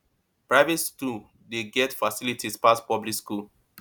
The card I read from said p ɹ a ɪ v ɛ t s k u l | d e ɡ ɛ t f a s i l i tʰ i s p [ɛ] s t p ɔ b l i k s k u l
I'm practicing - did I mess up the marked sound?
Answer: yes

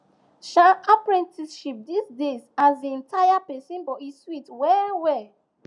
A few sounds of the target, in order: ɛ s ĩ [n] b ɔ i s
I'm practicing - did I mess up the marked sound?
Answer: no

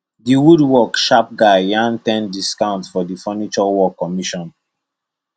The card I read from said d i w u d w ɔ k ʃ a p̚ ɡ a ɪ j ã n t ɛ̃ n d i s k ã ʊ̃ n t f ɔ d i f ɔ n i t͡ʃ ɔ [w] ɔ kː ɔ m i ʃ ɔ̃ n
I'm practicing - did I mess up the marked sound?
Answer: no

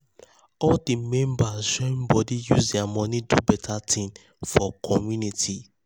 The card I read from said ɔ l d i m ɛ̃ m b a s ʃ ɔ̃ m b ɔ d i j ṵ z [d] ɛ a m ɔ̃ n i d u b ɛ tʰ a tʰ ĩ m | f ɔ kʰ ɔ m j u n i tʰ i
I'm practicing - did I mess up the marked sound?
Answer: no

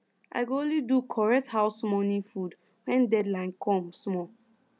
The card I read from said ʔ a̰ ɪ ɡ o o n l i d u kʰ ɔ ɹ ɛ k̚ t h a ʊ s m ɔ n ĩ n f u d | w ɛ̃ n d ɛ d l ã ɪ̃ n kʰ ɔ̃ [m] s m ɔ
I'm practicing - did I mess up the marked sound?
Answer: no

